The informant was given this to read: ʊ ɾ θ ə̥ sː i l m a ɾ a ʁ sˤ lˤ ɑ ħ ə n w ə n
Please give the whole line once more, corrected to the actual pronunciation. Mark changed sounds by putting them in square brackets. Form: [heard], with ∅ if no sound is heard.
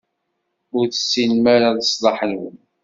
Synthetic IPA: ʊ ɾ θ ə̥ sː i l m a ɾ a [ð] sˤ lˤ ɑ ħ ə n w ə n